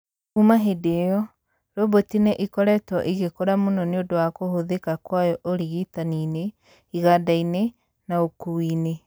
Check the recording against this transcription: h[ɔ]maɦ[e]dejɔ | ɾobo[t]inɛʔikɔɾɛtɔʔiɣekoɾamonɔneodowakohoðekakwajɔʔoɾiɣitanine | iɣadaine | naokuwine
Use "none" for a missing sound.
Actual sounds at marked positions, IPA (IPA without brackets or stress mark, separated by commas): u, e, t